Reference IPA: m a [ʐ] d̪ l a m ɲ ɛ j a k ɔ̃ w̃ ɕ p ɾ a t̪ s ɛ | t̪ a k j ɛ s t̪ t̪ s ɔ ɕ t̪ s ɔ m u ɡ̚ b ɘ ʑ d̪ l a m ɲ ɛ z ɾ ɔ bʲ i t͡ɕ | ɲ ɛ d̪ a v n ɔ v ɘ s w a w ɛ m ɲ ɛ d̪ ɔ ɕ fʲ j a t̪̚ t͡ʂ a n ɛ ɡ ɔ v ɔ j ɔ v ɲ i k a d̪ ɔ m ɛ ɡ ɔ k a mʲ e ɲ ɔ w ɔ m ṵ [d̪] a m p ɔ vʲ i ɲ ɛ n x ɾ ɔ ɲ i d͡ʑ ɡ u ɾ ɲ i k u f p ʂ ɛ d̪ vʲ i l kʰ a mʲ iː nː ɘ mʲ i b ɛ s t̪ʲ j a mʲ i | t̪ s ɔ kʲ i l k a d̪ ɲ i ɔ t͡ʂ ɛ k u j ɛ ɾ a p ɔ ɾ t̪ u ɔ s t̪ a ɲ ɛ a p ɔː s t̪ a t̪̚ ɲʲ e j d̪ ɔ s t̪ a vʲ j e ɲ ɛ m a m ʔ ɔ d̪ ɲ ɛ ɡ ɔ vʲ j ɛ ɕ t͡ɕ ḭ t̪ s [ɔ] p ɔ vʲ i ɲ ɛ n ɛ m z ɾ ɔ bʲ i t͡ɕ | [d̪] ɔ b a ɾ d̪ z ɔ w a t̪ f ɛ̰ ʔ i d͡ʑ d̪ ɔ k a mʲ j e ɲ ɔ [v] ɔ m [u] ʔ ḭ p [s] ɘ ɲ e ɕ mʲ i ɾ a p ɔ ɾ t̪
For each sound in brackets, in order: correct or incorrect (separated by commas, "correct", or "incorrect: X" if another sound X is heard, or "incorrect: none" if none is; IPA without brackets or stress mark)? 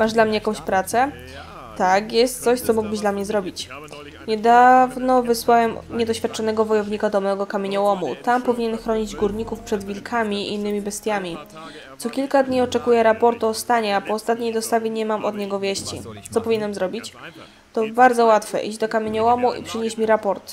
correct, incorrect: t̪, correct, incorrect: t̪, incorrect: w, correct, incorrect: ʂ